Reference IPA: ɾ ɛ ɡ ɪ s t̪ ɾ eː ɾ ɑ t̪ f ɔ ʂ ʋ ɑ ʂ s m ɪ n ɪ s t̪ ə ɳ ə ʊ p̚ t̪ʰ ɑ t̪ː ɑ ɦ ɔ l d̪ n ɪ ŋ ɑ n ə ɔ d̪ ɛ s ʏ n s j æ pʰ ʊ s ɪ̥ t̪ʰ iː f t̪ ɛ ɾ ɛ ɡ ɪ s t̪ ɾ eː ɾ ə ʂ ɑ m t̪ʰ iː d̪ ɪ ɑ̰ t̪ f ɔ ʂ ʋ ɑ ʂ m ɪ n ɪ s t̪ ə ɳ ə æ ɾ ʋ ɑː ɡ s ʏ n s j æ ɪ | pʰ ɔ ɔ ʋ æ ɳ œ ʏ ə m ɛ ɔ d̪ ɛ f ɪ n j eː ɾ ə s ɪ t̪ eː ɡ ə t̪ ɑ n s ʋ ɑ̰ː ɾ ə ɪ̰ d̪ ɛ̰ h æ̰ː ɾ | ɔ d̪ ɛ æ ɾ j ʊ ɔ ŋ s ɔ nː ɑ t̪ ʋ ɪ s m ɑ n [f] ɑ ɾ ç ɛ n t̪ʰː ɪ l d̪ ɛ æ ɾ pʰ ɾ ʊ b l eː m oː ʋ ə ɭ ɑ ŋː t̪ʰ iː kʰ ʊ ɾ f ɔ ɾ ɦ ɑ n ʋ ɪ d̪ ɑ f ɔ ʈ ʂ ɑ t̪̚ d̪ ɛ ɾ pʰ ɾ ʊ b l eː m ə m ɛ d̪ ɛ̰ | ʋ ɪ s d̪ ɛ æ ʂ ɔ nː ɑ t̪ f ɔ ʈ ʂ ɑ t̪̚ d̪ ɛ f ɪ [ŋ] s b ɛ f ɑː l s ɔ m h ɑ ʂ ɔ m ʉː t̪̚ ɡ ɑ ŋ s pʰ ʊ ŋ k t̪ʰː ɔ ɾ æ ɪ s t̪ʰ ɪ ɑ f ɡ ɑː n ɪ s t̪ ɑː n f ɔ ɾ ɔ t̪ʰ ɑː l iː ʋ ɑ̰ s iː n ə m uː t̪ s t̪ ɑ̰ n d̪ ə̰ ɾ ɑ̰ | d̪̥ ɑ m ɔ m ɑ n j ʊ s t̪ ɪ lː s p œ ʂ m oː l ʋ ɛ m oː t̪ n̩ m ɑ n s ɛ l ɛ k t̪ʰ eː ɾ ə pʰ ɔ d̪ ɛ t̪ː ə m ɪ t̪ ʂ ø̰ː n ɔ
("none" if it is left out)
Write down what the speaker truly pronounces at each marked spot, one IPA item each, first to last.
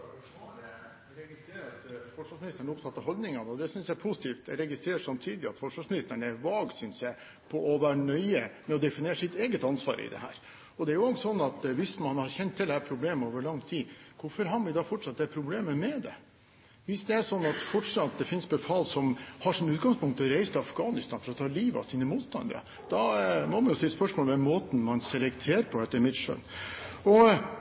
h, n

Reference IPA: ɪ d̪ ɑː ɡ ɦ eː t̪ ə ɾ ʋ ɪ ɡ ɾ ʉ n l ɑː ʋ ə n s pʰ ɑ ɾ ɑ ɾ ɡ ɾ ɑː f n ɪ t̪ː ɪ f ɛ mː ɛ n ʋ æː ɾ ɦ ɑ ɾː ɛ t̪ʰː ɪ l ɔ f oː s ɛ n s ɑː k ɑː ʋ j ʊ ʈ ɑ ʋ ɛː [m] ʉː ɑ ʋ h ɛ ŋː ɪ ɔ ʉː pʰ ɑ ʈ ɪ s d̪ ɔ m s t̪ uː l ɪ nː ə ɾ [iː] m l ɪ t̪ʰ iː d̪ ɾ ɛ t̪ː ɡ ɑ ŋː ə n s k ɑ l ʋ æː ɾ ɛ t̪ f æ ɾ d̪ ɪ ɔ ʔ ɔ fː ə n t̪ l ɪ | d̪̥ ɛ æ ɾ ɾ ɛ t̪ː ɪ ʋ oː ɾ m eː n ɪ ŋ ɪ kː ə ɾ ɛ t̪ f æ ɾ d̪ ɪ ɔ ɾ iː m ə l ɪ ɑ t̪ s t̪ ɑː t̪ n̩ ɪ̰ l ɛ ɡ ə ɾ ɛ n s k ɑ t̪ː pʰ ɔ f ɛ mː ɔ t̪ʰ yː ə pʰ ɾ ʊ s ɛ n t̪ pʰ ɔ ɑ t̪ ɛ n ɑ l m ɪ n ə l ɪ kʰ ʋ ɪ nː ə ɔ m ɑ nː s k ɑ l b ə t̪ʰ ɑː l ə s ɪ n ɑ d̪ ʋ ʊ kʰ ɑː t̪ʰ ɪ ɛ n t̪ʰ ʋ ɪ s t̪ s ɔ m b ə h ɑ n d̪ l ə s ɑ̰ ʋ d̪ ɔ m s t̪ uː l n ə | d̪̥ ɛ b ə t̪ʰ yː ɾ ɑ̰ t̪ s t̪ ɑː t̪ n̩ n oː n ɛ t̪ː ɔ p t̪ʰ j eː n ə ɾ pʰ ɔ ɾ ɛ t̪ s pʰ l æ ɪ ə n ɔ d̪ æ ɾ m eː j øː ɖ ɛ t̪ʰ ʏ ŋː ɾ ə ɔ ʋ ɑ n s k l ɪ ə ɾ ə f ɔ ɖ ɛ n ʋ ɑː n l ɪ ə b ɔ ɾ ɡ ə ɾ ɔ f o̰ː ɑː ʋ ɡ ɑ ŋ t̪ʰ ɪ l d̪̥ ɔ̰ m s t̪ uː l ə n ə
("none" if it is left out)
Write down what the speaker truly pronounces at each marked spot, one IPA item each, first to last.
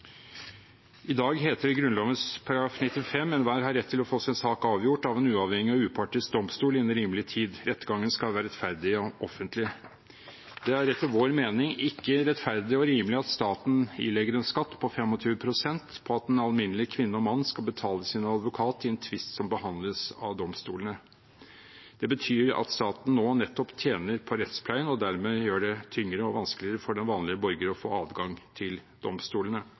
n, iː

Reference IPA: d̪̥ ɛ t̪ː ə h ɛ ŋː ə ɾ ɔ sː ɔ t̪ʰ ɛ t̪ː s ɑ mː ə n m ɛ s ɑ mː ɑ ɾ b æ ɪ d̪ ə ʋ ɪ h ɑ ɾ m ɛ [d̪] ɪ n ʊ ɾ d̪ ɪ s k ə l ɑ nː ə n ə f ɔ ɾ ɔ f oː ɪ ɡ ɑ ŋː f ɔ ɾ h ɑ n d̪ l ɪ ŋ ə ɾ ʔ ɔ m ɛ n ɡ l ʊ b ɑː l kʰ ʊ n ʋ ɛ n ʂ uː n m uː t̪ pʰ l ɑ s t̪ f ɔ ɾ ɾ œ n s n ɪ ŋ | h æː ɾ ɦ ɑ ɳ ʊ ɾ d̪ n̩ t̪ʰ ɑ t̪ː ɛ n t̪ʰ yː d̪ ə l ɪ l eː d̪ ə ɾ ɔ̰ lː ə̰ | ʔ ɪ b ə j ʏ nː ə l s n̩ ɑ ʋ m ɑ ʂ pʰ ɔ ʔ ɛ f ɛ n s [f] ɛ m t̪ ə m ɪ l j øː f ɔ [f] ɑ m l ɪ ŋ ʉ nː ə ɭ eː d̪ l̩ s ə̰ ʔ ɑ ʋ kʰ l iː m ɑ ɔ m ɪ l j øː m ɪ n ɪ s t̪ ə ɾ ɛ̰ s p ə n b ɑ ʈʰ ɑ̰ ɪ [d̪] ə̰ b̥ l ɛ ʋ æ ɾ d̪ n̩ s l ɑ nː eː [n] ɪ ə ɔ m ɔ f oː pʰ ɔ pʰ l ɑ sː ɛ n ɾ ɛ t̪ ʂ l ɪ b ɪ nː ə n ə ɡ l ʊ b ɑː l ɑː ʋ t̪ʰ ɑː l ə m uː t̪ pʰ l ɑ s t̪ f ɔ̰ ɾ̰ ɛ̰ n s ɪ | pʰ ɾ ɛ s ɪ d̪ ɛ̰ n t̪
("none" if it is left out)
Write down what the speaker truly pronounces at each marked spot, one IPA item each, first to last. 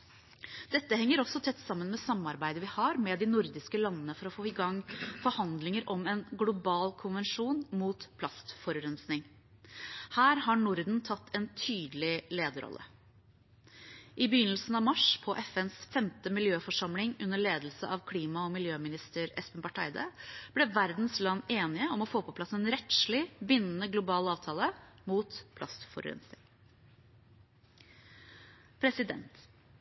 d̪, f, ʂ, d̪, n

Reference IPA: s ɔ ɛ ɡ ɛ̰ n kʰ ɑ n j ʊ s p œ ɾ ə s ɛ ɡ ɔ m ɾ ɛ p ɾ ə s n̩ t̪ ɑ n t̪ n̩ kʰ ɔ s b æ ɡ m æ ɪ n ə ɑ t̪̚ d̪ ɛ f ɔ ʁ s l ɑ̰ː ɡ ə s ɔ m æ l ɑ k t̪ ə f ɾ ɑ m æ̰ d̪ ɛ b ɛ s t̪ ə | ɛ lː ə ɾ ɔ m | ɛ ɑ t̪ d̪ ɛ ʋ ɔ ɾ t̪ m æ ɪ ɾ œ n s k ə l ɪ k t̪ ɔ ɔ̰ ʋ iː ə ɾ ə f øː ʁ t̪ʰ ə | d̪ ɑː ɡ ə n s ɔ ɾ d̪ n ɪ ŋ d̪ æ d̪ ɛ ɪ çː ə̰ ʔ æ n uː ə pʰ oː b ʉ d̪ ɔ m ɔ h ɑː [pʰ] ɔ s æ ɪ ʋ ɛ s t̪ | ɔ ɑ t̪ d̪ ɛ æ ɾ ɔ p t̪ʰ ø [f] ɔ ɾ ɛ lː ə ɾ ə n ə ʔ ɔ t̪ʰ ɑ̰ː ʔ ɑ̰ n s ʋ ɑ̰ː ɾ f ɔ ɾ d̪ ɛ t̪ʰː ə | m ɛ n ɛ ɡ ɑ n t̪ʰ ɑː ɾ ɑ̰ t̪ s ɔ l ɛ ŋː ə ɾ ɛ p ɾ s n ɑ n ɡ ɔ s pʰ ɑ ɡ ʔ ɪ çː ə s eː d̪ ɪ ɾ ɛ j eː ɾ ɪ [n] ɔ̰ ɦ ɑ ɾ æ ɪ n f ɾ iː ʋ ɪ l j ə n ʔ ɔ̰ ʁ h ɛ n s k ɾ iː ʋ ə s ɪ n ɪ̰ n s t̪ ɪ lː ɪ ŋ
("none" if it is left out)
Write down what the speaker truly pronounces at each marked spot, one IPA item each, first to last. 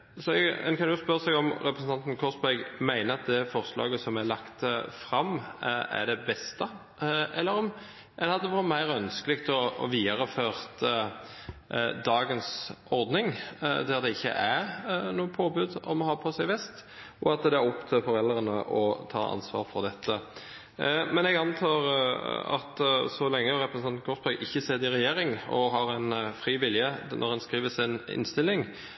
pʰ, f, ŋ

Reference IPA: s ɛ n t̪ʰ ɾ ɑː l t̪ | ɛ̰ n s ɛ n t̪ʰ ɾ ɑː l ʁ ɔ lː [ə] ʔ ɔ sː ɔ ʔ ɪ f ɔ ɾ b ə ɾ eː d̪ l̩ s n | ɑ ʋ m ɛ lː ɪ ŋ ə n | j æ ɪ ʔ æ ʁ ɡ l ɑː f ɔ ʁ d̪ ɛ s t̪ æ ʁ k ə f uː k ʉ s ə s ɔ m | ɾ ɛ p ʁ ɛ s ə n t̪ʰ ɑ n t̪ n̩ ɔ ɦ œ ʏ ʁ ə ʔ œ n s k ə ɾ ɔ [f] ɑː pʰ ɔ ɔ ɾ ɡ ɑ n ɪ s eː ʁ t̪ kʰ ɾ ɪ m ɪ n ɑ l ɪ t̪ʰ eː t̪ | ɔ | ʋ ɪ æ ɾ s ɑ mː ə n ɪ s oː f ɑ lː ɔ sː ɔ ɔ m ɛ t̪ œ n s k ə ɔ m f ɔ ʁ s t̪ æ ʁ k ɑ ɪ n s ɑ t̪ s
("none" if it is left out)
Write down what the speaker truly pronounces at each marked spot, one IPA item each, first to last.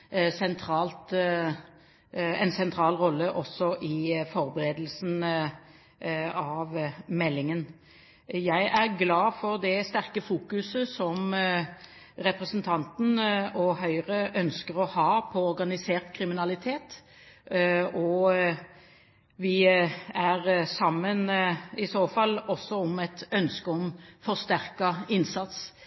ə, h

